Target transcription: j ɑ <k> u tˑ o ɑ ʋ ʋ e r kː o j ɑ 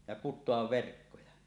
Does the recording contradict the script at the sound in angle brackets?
no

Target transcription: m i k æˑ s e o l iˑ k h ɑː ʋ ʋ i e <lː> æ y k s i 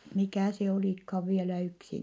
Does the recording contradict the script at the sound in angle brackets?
yes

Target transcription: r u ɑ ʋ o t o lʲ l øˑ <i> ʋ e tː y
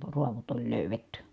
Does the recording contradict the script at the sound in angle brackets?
yes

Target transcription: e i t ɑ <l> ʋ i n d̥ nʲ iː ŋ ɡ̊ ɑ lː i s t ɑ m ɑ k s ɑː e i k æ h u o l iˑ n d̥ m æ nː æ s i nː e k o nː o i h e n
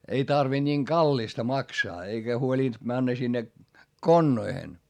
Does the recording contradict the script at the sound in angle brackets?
yes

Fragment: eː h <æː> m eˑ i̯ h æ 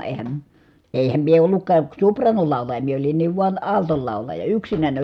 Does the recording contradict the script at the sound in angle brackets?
yes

